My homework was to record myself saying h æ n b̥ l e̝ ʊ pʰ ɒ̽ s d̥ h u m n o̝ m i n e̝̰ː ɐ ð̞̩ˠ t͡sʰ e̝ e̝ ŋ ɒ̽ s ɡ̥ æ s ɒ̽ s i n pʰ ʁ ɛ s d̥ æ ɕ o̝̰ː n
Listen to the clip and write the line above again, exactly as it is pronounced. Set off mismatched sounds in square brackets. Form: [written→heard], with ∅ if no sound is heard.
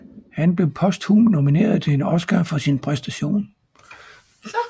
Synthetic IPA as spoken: h æ n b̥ l e̝ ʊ pʰ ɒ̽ s d̥ h u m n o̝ m i n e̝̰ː ɐ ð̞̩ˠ t͡sʰ e̝ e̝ [ŋ→n] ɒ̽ s ɡ̥ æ [s→f] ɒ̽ s i n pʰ ʁ ɛ s d̥ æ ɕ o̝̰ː n